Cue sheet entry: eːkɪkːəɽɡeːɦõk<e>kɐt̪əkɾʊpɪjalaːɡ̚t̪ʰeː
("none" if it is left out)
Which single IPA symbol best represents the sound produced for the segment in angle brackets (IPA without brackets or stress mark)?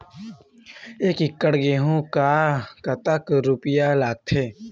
a